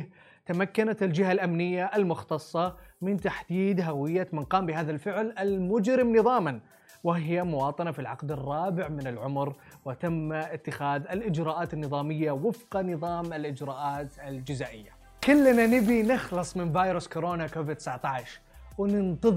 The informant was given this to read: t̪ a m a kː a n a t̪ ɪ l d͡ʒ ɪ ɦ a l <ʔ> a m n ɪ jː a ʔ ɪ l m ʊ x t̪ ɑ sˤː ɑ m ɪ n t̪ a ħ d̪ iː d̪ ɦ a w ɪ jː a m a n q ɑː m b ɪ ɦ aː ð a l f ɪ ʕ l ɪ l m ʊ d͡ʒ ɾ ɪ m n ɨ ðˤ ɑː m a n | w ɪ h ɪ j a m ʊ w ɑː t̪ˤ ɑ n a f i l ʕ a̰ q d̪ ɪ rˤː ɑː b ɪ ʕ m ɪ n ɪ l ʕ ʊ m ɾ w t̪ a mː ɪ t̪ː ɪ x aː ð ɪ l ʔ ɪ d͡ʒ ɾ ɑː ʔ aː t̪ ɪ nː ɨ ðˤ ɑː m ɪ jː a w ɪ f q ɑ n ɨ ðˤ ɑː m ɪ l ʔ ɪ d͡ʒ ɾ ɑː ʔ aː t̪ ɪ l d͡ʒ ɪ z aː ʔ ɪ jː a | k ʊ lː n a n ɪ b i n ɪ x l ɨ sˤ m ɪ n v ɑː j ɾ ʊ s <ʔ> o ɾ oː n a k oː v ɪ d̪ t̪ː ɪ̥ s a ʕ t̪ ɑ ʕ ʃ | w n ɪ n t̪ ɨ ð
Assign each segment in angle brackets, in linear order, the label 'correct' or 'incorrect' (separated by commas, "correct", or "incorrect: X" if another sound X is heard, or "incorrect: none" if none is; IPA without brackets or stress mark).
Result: correct, incorrect: k